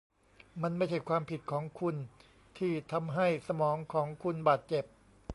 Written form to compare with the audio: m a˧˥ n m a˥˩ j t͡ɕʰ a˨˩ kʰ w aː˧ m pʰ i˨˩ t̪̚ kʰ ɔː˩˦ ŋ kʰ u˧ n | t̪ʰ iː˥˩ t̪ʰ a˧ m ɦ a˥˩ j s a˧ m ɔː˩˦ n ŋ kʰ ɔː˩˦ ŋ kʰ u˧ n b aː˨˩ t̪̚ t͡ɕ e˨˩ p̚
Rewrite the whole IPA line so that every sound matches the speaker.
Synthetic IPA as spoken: m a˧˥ n m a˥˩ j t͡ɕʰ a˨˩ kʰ w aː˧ m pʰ i˨˩ t̪̚ kʰ ɔː˩˦ ŋ kʰ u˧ n | t̪ʰ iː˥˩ t̪ʰ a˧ m ɦ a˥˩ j s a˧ m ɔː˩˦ ŋ kʰ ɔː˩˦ ŋ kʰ u˧ n b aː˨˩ t̪̚ t͡ɕ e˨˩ p̚

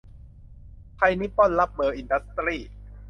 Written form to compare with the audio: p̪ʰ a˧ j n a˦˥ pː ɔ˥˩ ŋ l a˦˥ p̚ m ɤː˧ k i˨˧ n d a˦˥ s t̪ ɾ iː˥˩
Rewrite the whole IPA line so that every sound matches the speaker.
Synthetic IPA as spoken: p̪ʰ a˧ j n i˦˥ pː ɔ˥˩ n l a˦˥ p̚ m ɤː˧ ʔ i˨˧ n d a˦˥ s t̪ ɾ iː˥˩

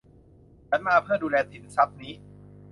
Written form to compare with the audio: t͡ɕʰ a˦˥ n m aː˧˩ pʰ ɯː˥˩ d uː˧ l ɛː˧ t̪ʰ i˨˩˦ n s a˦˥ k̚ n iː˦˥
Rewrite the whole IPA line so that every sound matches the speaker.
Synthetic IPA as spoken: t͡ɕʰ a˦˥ n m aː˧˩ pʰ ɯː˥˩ d uː˧ l ɛː˧ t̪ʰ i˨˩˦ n s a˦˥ p̚ n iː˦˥

